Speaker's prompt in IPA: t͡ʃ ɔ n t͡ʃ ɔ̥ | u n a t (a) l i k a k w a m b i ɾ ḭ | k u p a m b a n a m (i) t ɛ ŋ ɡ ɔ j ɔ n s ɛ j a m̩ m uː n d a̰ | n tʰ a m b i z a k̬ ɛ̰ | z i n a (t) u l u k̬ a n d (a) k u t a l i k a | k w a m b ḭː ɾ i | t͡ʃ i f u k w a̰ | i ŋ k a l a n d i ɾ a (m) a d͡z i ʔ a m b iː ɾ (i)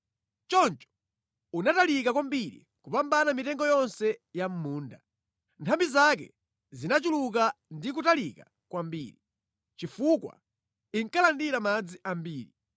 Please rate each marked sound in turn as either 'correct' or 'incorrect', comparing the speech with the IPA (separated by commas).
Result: correct, correct, incorrect, incorrect, correct, correct